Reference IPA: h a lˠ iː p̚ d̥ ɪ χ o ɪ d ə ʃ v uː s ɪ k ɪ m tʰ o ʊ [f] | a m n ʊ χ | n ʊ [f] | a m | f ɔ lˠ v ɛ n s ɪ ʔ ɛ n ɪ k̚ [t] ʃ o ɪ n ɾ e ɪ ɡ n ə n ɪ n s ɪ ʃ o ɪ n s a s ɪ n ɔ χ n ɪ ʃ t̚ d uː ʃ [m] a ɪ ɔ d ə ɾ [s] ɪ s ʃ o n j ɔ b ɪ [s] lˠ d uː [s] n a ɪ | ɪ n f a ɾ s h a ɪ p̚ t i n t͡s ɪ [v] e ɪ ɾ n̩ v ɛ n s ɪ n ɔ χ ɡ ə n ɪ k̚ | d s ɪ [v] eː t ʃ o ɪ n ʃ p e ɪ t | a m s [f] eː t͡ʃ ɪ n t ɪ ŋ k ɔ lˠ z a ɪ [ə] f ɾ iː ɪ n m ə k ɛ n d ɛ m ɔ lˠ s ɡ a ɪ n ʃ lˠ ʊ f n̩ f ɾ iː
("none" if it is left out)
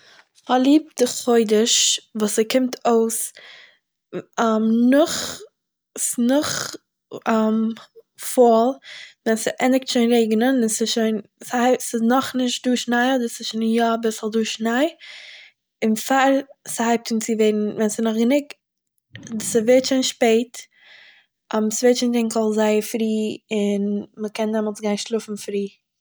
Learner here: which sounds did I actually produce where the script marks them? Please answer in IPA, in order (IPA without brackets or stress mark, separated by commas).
s, χ, t, n, s, s, ʃ, v, v, v, ə